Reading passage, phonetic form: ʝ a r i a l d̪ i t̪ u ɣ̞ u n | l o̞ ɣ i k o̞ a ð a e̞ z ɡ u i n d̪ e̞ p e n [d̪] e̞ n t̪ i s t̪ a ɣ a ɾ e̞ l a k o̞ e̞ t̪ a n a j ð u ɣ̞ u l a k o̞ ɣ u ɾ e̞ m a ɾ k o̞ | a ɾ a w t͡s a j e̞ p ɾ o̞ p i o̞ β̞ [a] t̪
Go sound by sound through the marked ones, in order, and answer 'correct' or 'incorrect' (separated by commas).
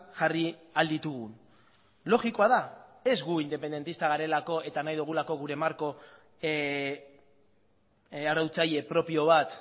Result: correct, correct